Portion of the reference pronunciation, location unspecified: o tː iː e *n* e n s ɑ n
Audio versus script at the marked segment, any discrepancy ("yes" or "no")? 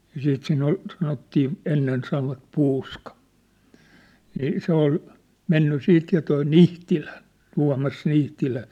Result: yes